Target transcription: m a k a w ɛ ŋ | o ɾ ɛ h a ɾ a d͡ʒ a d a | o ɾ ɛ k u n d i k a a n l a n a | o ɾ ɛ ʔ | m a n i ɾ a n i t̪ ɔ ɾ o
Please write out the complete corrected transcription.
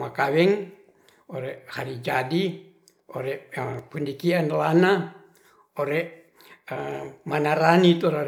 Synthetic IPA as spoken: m a k a w ɛ ŋ | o ɾ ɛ h a ɾ i d͡ʒ a d i | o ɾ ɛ p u n d i k i a n l a n a | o ɾ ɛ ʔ | m a n a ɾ a n i t̪ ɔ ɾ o